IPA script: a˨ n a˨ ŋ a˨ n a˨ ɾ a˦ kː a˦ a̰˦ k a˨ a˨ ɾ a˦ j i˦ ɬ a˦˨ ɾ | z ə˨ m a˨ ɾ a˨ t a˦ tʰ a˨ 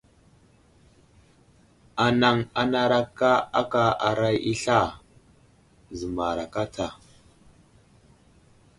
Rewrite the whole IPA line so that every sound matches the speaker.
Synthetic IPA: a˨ n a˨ ŋ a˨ n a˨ ɾ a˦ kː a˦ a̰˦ k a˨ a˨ ɾ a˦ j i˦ ɬ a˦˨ | z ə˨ m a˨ ɾ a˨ k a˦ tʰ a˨